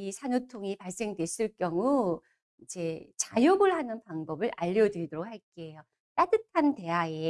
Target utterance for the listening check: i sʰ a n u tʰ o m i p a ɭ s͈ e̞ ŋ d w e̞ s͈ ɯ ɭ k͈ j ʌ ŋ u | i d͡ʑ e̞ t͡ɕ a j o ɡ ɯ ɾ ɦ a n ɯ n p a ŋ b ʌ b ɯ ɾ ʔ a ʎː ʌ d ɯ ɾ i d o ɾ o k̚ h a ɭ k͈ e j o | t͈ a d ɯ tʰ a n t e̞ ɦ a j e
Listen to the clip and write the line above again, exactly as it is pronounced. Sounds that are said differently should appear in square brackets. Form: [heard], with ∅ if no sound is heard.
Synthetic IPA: i sʰ a n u tʰ o [ŋ] i p a ɭ s͈ e̞ ŋ d w e̞ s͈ ɯ ɭ k͈ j ʌ ŋ u | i d͡ʑ e̞ t͡ɕ a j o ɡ ɯ [ɭ] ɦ a n ɯ n p a ŋ b ʌ b ɯ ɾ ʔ a ʎː ʌ d ɯ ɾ i d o ɾ o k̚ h a ɭ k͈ e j o | t͈ a d ɯ tʰ a n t e̞ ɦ a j e